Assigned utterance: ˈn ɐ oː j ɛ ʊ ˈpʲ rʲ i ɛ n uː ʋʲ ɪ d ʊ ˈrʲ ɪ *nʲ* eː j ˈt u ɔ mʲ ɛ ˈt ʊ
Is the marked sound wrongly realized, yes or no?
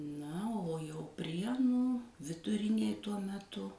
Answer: no